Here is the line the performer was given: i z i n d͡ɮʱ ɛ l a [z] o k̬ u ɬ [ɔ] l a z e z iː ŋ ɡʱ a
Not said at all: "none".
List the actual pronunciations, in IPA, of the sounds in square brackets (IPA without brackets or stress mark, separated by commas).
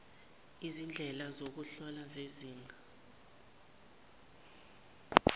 z, ɔ